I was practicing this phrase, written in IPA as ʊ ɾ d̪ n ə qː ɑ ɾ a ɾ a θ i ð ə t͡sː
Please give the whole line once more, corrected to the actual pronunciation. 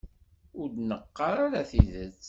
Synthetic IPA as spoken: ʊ ɾ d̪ n ə qː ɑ ɾ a ɾ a θ i ð ə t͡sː

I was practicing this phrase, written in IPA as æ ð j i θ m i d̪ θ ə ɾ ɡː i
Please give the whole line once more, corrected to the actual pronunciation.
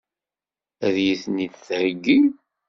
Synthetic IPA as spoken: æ ð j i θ n i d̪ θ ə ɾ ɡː i

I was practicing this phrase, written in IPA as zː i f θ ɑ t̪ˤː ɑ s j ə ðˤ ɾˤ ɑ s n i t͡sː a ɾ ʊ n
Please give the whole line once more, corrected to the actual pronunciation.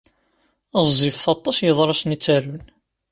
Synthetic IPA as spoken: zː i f θ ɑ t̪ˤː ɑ s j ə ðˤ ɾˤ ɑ s n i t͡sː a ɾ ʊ n

